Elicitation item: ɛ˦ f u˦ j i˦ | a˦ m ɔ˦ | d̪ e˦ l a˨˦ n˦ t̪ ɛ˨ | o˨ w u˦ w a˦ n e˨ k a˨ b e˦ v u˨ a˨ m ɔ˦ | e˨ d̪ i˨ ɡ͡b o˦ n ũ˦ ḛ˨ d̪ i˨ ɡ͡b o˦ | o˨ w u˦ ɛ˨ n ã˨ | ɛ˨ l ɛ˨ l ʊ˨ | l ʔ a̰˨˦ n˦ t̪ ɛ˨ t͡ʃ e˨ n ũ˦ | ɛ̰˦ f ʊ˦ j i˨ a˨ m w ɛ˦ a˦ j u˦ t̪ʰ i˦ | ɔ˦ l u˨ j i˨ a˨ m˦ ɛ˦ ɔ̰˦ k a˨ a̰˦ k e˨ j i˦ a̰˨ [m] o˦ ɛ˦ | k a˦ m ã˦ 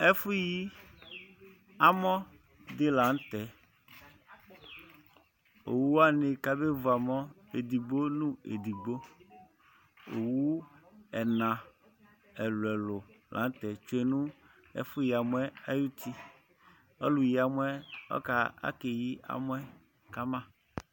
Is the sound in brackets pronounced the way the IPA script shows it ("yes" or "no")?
yes